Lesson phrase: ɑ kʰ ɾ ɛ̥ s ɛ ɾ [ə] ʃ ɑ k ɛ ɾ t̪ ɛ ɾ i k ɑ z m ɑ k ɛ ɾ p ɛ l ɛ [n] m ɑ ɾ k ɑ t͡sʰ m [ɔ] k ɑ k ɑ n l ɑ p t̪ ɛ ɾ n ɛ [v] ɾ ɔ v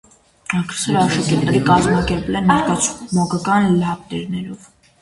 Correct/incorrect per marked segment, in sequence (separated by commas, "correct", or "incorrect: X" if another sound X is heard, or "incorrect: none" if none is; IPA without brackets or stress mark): incorrect: ɑ, correct, correct, incorrect: none